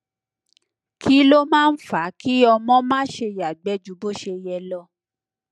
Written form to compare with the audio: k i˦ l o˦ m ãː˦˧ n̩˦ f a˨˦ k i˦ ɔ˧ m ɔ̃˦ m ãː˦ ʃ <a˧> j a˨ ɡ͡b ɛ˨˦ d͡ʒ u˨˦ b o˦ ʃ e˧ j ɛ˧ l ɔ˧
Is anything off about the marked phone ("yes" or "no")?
yes